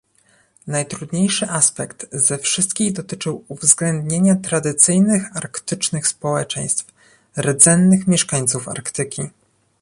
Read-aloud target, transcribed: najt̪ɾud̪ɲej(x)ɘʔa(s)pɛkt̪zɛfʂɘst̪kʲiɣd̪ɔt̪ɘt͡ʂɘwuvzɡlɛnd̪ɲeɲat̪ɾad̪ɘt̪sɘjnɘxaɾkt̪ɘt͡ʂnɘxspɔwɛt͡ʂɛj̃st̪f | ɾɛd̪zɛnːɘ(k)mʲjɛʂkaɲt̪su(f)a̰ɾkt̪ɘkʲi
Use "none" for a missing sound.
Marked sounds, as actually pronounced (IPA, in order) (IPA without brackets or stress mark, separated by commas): ʂ, s, x, f